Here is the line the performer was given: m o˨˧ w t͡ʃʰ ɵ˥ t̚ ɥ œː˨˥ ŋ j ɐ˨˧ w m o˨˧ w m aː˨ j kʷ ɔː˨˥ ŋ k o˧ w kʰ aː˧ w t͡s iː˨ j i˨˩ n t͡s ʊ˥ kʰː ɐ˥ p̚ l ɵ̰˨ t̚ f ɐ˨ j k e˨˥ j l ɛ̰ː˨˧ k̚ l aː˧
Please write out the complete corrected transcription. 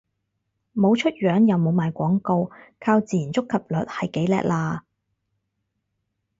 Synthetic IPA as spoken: m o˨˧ w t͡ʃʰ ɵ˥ t̚ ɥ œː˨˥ ŋ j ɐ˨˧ w m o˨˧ w m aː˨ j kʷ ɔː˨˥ ŋ k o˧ w kʰ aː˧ w t͡s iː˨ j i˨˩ n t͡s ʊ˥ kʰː ɐ˨ p̚ l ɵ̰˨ t̚ h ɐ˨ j k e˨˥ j l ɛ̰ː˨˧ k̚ l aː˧